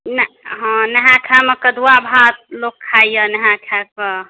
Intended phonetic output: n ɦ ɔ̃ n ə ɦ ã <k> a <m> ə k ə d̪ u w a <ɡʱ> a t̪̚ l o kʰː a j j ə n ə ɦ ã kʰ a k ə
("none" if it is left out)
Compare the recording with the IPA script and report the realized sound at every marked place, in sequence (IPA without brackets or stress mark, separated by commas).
kʰ, m, bʱ